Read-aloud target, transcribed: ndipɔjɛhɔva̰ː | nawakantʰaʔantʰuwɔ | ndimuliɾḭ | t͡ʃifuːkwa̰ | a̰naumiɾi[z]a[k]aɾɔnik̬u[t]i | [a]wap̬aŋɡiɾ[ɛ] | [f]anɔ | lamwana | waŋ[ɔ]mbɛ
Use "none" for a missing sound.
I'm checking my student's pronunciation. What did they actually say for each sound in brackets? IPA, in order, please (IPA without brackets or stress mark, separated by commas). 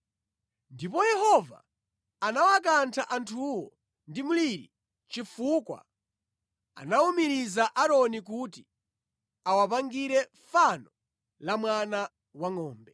z, ʔ, t, a, ɛ, f, ɔː